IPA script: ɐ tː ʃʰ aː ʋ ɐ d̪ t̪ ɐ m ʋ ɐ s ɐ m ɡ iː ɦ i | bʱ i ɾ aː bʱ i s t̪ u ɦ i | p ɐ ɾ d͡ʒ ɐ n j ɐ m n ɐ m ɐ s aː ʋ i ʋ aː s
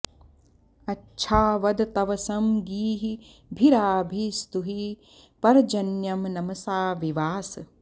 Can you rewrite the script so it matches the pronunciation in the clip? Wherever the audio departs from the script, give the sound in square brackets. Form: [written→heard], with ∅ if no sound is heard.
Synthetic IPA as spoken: ɐ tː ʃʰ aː ʋ ɐ d̪ t̪ ɐ [m→∅] ʋ ɐ s ɐ m ɡ iː ɦ i | bʱ i ɾ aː bʱ i s t̪ u ɦ i | p ɐ ɾ d͡ʒ ɐ n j ɐ m n ɐ m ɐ s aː ʋ i ʋ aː s